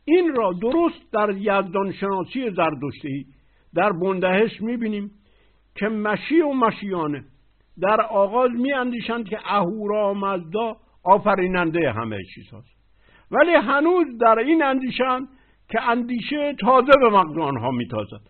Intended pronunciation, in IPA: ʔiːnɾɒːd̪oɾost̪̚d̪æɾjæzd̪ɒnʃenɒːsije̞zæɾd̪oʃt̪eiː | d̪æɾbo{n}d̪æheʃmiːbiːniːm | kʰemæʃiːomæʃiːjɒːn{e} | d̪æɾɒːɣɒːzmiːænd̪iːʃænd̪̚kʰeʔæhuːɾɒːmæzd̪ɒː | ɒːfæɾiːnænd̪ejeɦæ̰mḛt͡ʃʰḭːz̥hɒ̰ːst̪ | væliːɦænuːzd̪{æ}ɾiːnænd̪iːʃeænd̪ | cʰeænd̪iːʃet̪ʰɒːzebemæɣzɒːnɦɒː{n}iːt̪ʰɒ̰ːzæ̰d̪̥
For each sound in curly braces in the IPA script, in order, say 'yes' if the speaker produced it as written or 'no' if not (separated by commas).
yes, yes, yes, no